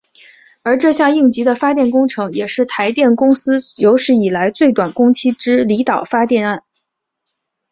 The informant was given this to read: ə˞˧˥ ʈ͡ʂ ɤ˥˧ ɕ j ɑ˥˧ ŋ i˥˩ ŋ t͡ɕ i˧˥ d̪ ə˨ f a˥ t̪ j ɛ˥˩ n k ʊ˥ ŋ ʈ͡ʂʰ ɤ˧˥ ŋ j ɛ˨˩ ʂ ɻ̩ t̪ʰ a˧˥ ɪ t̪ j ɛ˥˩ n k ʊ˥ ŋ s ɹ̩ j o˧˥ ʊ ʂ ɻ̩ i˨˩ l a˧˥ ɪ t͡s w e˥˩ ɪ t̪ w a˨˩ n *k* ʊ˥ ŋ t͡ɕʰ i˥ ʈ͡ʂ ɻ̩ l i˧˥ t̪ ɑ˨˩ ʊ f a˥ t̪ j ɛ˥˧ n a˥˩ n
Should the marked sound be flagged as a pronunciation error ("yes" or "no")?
no